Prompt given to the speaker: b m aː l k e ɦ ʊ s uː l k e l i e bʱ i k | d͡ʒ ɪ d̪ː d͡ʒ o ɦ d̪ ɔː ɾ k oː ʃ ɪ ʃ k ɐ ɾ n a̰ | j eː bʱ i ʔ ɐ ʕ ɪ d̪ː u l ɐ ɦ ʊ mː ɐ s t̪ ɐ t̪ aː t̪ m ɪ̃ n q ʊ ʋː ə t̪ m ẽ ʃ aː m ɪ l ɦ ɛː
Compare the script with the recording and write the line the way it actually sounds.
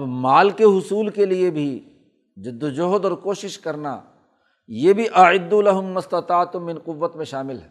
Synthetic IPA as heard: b m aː l k e ɦ ʊ s uː l k e l i e bʱ i | d͡ʒ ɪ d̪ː d͡ʒ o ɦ d̪ ɔː ɾ k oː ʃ ɪ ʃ k ɐ ɾ n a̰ | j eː bʱ i ʔ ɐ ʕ ɪ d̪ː u l ɐ ɦ ʊ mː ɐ s t̪ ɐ t̪ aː t̪ m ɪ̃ n q ʊ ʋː ə t̪ m ẽ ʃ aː m ɪ l ɦ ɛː